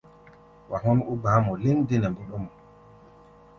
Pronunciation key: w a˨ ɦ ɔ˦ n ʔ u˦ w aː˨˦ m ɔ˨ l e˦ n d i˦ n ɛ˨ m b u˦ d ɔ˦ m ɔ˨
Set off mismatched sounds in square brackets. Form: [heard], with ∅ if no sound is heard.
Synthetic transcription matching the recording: w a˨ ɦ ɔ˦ n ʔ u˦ [b] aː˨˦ m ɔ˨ l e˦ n d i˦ n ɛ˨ m b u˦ [ɗ] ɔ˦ m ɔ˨